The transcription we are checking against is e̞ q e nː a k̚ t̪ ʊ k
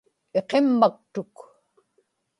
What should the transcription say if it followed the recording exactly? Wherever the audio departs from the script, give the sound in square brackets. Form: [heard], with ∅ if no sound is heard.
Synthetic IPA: e̞ q e [mː] a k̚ t̪ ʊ k